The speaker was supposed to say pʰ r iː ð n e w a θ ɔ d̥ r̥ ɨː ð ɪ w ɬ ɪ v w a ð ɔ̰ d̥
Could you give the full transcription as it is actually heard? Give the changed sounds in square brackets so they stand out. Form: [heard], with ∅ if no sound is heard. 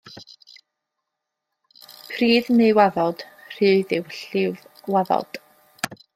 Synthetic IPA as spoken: pʰ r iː ð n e w a [ð] ɔ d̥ r̥ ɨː ð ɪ w ɬ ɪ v w a ð ɔ̰ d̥